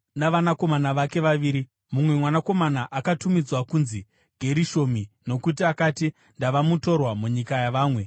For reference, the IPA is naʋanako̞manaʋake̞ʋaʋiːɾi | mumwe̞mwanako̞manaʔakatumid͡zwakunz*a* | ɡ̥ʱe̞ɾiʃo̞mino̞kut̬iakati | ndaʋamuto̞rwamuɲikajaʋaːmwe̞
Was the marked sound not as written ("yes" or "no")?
yes